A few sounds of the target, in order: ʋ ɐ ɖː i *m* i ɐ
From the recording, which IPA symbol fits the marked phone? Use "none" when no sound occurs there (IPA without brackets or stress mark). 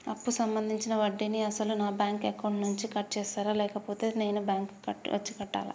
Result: n